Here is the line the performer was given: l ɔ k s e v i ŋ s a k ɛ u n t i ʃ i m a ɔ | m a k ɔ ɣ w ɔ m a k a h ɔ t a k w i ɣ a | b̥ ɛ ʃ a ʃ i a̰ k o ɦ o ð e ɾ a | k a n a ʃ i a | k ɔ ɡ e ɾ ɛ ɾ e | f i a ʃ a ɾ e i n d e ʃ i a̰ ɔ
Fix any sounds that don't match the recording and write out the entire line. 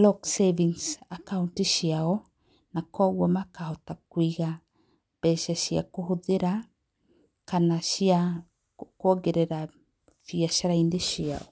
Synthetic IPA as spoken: l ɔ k s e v i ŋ s a k a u n t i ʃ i a ɔ | n a k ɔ ɣ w ɔ m a k a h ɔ t a k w i ɣ a | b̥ ɛ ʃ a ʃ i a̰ k o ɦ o ð e ɾ a | k a n a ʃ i a | k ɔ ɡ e ɾ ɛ ɾ a | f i a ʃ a ɾ a i n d e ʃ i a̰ ɔ